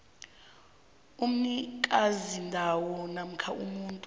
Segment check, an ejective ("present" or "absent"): present